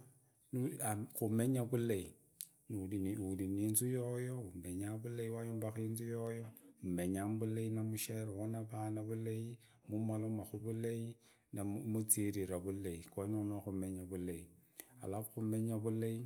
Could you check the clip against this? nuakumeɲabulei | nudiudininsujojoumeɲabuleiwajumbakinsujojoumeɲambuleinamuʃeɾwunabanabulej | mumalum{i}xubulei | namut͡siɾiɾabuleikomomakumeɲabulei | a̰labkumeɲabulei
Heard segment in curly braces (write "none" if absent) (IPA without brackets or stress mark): a